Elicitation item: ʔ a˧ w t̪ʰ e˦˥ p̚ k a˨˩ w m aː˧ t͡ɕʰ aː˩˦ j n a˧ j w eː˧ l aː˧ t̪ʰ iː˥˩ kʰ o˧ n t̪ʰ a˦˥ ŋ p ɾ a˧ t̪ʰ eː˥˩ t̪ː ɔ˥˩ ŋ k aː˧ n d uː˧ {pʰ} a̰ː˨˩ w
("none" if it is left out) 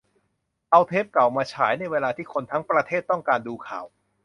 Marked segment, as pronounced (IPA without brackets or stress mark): kʰ